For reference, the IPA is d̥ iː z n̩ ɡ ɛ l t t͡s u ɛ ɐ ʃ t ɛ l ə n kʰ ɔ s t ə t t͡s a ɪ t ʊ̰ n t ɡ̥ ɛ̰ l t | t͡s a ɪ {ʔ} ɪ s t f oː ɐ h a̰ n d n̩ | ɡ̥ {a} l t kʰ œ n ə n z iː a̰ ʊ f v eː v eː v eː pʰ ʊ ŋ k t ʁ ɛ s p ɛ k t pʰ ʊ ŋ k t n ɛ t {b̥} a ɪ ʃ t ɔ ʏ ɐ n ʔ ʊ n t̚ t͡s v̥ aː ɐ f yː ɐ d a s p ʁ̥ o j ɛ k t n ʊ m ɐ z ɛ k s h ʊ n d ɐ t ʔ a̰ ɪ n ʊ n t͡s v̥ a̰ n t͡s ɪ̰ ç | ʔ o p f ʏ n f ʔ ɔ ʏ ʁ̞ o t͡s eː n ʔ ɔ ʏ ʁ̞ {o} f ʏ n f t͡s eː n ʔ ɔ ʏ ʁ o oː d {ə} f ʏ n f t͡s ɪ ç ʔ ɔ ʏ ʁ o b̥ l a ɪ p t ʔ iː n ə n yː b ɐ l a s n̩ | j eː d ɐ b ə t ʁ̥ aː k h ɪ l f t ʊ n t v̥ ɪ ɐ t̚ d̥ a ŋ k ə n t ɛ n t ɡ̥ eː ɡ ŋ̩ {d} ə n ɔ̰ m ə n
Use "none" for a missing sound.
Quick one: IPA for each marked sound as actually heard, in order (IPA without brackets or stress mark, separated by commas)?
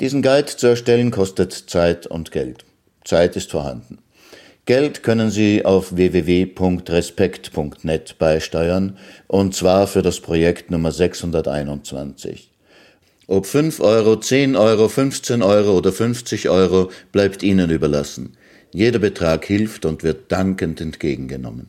t, ɛ, b̥, o, ɐ, ɡ